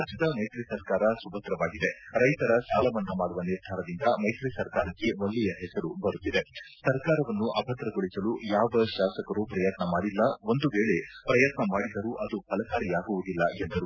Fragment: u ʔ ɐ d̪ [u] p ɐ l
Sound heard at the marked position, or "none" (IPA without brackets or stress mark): u